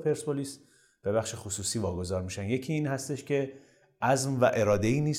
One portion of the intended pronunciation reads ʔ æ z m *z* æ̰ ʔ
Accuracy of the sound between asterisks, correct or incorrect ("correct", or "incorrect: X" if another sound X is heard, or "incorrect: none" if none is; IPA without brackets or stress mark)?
incorrect: v